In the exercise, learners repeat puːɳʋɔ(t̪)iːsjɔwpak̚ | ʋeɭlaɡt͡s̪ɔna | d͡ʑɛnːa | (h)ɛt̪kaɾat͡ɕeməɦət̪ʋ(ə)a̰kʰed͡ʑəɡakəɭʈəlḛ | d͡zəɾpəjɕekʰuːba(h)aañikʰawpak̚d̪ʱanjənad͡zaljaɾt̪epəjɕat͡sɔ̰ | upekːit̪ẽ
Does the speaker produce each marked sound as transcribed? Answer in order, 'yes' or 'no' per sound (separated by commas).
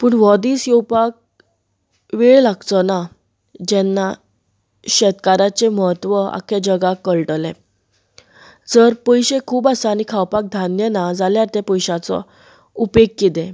no, no, yes, no